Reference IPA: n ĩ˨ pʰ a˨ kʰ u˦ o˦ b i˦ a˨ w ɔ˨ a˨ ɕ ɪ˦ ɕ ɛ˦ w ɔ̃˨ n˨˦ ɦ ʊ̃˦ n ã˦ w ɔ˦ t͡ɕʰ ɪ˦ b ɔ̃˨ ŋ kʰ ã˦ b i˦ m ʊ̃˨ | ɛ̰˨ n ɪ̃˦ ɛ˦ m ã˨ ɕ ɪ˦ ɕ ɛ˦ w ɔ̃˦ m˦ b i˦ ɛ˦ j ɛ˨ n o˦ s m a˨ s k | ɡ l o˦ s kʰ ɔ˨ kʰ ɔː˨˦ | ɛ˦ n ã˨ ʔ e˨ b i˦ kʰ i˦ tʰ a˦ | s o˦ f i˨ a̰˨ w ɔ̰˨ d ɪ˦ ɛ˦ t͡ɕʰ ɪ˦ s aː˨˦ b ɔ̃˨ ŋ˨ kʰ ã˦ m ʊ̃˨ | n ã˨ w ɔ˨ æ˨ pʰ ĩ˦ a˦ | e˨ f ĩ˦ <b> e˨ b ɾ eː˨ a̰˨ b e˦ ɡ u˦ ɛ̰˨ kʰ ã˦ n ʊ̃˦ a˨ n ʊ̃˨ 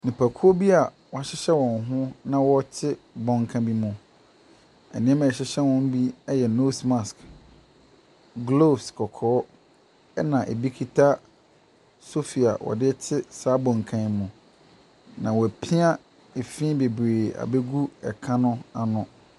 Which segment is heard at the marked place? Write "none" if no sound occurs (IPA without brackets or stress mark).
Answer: b